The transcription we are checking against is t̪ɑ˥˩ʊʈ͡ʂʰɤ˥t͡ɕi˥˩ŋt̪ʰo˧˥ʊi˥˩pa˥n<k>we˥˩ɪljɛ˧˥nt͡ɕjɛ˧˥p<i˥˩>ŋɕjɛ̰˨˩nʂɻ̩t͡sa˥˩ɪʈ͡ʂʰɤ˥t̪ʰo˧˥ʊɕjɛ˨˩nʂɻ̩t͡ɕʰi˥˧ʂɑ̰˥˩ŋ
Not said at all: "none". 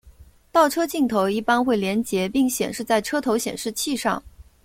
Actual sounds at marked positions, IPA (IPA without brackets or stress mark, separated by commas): x, i˥˩